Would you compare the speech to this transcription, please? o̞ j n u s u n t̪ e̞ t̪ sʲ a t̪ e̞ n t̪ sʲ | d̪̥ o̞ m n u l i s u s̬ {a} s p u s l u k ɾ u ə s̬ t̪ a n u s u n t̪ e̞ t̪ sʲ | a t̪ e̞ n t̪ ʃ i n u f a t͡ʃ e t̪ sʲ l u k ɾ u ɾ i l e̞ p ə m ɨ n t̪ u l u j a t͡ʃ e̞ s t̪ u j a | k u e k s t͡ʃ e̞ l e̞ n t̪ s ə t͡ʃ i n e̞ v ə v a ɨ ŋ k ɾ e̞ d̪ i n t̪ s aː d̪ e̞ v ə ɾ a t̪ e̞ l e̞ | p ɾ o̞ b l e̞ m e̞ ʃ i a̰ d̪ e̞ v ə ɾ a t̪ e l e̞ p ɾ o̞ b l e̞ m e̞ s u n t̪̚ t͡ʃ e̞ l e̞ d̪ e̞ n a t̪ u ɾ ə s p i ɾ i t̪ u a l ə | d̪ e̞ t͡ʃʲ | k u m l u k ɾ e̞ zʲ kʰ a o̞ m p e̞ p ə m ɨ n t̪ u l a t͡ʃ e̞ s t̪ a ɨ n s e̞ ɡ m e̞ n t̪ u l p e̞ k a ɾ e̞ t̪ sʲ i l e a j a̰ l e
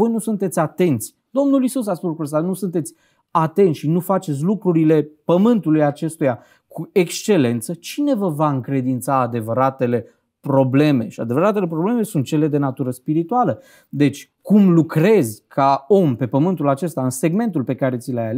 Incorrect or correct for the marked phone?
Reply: correct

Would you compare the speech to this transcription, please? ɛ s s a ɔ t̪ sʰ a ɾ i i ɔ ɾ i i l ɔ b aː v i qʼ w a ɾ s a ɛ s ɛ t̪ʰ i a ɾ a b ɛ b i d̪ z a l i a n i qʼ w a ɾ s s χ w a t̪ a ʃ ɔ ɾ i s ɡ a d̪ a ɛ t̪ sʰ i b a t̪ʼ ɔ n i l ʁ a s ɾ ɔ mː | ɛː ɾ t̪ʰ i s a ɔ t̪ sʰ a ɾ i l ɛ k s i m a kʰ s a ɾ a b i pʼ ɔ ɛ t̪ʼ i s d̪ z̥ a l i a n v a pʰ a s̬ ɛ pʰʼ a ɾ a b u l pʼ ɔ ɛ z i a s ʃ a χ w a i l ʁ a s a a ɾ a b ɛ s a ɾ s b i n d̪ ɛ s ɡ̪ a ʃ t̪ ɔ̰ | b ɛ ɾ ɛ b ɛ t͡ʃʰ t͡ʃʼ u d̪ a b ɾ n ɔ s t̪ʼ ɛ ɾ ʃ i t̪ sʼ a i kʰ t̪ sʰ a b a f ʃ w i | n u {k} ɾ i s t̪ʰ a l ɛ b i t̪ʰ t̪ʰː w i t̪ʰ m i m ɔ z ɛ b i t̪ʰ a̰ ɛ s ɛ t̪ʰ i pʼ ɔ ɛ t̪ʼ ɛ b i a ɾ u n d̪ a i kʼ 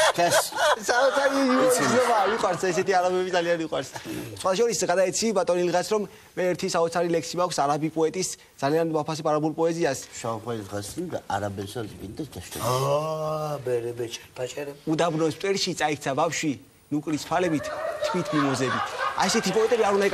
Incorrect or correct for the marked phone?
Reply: incorrect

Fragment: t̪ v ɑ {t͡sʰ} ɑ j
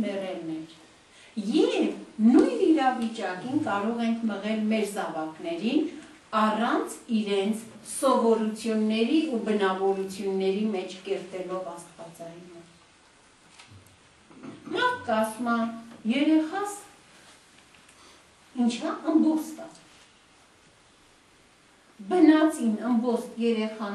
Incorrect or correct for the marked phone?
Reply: incorrect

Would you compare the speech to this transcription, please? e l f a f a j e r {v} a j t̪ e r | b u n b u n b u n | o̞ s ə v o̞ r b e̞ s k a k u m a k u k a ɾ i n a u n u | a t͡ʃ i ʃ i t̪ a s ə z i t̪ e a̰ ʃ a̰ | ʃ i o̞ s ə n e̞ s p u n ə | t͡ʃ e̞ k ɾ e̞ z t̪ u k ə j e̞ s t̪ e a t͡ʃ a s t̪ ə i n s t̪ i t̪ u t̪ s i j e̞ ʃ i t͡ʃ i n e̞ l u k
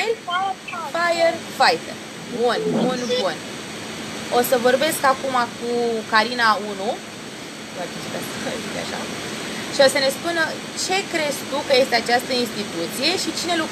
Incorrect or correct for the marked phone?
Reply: incorrect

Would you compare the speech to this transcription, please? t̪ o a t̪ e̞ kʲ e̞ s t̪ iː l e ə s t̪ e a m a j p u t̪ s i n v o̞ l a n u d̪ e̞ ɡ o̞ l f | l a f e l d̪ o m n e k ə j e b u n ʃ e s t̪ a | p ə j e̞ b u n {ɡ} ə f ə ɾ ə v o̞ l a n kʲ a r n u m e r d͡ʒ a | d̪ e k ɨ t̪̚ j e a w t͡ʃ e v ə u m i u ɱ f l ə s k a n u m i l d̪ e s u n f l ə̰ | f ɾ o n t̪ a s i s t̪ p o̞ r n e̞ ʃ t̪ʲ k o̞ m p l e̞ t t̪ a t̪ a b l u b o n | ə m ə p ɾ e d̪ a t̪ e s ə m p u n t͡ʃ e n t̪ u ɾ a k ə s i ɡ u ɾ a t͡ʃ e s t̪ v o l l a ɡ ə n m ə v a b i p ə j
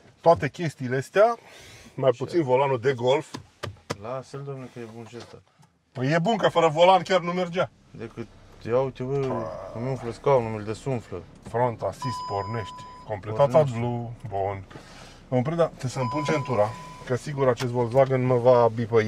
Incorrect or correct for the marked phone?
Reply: incorrect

